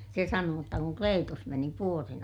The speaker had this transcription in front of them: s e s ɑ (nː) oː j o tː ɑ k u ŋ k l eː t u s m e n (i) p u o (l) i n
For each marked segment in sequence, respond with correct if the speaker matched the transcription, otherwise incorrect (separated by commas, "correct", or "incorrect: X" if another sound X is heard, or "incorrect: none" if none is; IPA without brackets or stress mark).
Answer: incorrect: n, correct, incorrect: r